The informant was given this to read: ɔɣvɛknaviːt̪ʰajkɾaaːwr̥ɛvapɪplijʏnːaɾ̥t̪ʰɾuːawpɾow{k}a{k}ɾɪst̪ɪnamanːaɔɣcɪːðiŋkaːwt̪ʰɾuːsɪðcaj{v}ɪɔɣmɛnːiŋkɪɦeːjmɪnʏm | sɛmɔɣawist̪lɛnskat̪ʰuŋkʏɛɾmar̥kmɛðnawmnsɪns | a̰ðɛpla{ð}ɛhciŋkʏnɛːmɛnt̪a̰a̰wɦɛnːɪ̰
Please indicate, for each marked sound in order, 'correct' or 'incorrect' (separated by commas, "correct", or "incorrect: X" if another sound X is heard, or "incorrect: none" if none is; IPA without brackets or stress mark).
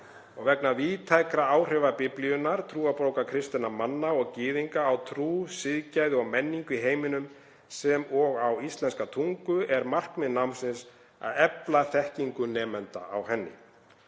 correct, incorrect: kʰ, incorrect: ð, incorrect: θ